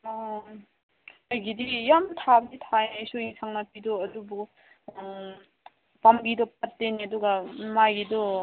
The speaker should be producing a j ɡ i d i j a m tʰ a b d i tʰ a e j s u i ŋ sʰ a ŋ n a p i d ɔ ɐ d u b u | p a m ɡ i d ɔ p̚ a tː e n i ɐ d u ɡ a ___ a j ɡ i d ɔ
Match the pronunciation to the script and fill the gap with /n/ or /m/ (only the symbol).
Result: m